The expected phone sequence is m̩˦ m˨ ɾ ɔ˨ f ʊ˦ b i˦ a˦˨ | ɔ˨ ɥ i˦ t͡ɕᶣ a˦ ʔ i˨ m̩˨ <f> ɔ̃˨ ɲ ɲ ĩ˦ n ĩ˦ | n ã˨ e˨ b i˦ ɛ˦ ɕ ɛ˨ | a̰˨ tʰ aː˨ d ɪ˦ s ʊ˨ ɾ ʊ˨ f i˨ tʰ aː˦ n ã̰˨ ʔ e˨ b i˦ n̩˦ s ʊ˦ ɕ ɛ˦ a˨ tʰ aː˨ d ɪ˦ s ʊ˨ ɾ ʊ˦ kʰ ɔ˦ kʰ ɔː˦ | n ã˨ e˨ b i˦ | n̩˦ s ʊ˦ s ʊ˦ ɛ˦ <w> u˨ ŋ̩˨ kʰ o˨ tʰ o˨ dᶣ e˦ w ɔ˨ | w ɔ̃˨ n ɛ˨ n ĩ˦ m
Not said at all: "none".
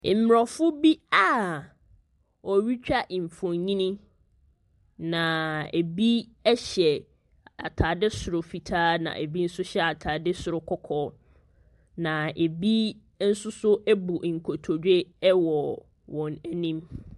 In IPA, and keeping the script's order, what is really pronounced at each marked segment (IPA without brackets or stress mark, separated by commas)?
f, b